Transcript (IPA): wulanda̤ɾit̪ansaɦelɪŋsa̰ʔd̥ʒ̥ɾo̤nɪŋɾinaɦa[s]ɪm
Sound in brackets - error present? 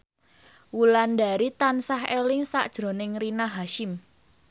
yes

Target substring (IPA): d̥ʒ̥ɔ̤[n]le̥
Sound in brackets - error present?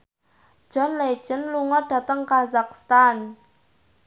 no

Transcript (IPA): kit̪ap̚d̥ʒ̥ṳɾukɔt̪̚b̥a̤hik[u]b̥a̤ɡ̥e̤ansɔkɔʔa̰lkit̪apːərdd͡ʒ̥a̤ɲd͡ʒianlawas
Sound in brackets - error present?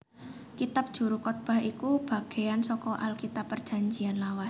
no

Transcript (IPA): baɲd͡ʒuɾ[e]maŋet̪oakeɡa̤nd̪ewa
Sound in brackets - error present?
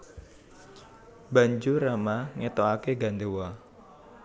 yes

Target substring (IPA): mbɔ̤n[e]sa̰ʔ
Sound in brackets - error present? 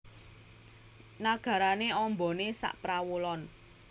no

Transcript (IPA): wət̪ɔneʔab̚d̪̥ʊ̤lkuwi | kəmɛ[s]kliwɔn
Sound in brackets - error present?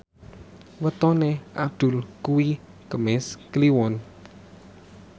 no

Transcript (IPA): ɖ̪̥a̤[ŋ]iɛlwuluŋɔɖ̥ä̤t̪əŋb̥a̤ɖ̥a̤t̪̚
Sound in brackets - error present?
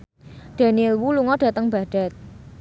yes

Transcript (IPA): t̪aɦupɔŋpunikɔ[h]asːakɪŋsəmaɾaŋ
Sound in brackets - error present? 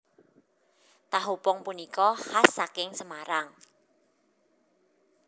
no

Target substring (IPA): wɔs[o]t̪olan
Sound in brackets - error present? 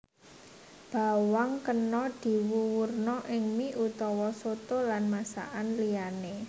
no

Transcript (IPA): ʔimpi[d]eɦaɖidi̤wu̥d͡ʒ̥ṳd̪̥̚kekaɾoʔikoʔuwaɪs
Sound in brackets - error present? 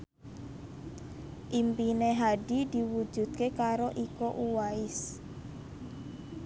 yes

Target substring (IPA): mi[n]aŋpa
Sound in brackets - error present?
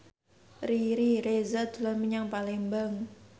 yes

